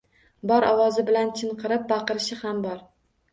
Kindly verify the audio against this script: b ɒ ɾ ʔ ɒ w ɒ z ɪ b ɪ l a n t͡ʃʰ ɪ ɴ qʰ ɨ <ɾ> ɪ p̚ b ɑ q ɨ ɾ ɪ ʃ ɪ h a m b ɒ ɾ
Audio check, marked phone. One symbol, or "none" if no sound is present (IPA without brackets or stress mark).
ɾ